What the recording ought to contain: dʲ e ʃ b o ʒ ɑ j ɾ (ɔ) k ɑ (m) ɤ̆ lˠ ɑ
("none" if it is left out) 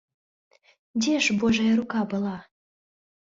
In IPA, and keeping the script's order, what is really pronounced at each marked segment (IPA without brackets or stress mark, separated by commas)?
u, b